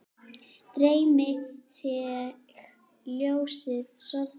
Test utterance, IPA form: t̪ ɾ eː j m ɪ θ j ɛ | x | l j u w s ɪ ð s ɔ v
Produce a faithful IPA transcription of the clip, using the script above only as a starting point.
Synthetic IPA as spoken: t̪ ɾ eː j m ɪ θ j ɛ | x | l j o w s ɪ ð s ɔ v